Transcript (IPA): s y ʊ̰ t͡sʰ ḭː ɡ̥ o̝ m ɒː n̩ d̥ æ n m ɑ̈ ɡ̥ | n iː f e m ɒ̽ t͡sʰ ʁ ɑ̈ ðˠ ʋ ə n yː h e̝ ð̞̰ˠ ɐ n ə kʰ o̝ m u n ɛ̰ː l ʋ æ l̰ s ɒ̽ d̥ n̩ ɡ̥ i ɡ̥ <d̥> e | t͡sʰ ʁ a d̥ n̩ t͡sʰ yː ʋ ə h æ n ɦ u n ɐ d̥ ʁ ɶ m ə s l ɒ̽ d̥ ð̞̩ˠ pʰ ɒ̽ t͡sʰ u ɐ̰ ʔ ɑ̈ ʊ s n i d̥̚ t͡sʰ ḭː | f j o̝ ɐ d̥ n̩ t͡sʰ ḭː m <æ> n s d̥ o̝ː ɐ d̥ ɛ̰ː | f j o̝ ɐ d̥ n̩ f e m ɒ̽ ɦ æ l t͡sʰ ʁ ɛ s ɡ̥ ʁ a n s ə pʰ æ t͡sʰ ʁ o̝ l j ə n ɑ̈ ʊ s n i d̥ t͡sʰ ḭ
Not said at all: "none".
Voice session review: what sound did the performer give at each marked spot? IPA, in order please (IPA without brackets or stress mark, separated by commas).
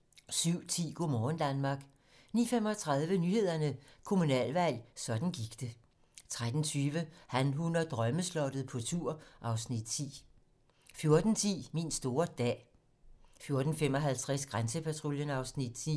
d̥, i